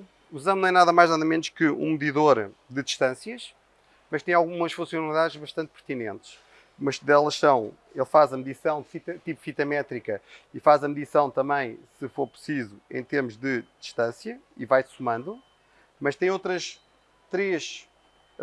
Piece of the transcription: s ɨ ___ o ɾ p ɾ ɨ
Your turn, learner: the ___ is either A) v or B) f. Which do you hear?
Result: B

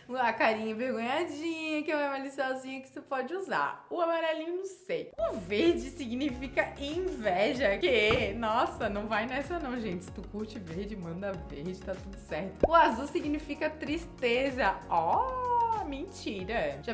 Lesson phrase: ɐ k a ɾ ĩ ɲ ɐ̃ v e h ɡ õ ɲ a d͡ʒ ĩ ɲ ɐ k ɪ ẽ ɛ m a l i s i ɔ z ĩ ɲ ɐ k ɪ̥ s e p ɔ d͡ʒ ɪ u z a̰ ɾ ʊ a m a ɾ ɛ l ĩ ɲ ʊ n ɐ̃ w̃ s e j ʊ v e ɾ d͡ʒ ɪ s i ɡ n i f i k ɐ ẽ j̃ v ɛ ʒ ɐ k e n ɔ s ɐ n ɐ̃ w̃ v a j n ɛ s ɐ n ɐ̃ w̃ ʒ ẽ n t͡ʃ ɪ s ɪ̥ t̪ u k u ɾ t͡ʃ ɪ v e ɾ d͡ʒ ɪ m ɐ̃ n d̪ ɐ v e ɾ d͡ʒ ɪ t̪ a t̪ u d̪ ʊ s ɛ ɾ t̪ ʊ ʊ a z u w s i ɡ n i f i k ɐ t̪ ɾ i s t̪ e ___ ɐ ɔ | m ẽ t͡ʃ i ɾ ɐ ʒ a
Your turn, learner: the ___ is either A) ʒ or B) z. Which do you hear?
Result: B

